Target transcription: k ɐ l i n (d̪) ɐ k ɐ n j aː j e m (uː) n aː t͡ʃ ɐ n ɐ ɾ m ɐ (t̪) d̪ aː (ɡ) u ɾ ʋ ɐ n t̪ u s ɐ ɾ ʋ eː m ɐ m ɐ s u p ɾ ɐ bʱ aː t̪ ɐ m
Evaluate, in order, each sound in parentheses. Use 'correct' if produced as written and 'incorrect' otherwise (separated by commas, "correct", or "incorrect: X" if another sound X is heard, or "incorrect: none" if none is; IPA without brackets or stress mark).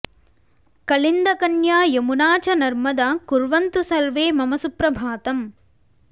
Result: correct, incorrect: u, incorrect: none, incorrect: k